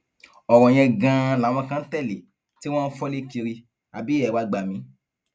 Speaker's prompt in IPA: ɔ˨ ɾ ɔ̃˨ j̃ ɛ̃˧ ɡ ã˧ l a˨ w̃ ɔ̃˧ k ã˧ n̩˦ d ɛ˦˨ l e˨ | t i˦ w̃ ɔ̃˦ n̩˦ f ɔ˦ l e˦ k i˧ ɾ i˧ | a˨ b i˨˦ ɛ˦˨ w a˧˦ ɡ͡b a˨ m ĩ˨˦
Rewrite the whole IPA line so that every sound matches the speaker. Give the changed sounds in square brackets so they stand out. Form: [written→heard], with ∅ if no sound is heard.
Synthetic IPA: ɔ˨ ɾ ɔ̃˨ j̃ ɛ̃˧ ɡ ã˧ l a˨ w̃ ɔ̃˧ k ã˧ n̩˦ [d→t] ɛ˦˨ l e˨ | t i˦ w̃ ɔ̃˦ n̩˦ f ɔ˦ l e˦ k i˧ ɾ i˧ | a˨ b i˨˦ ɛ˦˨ w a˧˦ ɡ͡b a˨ m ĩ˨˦